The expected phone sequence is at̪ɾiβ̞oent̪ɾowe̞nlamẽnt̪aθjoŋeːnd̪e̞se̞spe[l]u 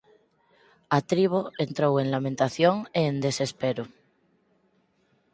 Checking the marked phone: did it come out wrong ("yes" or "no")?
yes